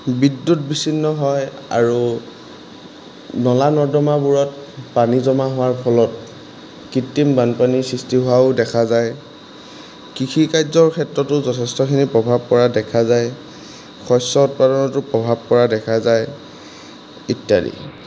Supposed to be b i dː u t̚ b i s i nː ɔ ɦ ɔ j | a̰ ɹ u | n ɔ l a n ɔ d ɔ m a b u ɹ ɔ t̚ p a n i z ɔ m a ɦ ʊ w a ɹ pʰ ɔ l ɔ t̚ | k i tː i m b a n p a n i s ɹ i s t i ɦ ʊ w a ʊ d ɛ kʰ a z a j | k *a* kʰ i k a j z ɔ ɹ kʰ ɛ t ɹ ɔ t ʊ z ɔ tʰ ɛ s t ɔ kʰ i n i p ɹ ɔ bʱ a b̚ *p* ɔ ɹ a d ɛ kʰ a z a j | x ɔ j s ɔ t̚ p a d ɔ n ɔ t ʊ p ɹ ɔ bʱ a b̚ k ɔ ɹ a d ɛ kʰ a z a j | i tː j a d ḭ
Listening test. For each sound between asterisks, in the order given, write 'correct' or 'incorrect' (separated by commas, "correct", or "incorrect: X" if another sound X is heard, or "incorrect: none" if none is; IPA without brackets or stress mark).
incorrect: i, incorrect: k